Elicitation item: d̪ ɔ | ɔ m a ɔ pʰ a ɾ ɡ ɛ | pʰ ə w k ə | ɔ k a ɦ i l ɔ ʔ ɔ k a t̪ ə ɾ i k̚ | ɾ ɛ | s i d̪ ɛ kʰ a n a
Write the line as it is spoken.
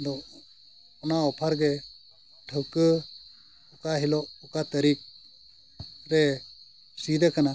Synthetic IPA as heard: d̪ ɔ | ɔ n a ɔ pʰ a ɾ ɡ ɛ | ʈʰ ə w k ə | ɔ k a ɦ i l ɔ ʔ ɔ k a t̪ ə ɾ i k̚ | ɾ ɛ | s i d̪ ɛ k a n a